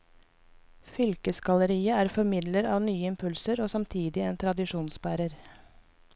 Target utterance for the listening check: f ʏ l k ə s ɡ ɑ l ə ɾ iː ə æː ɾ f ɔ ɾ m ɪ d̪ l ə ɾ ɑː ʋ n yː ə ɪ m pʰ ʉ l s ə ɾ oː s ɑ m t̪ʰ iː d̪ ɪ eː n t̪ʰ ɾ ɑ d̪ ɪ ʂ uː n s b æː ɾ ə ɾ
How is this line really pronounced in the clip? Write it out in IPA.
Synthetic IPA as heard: f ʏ l k ə s ɡ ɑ l ə ɾ iː ə æː ɾ f ɔ ɾ m ɪ d̪ l ə ɾ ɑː ʋ n yː ə ɪ m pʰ ʉ l s ə ɾ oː s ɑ m t̪ʰ iː d̪ ɪ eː n t̪ʰ ɾ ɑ d̪ ɪ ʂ uː n s b æː ɾ ə ɾ